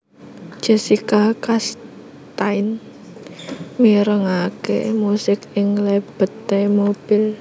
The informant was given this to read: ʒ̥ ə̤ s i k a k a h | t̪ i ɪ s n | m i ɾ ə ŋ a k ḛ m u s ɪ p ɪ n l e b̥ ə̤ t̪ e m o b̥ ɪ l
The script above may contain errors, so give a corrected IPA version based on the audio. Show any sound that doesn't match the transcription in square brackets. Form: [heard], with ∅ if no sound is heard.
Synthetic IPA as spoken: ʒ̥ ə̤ s i k a k a [s] | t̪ [a] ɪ [∅] n | m i ɾ ə ŋ a k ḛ m u s ɪ [k] ɪ [ŋ] l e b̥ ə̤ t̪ e m o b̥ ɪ l